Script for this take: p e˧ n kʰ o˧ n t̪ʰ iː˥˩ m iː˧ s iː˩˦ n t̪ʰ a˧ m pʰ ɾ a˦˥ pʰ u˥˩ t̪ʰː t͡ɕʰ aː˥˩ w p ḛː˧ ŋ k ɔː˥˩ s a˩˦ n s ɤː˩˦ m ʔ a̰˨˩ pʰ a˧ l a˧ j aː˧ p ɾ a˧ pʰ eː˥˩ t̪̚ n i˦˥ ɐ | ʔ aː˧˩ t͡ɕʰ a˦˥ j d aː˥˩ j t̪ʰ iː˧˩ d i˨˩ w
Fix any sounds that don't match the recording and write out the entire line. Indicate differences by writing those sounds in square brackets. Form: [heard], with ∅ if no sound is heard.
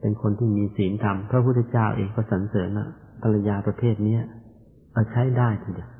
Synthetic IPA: p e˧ n kʰ o˧ n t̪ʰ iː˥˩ m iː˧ s iː˩˦ n t̪ʰ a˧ m pʰ ɾ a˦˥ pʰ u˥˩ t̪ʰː [t͡ɕ] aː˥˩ w [ʔ] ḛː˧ ŋ k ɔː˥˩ s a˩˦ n s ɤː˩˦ m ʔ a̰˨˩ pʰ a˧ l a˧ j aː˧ p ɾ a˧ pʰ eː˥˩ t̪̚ n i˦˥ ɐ | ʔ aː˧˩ t͡ɕʰ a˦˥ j d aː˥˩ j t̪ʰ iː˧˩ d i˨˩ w